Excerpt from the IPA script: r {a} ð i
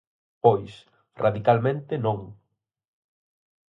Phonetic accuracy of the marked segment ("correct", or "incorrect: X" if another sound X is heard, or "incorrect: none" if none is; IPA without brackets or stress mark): correct